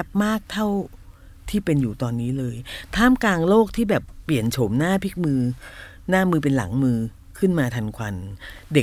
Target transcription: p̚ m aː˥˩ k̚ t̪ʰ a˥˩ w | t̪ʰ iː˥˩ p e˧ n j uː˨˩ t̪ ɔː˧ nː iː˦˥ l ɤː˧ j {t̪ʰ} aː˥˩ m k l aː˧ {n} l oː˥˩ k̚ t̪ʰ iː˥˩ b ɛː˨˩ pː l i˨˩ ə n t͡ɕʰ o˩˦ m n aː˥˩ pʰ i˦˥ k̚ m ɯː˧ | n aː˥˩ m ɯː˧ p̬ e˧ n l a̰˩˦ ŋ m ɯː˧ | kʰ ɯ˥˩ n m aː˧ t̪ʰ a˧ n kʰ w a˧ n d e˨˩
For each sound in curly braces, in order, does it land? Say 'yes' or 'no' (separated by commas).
yes, no